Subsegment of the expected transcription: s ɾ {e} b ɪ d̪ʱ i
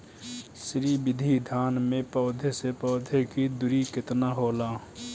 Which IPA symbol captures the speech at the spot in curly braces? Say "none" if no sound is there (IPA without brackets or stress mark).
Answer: i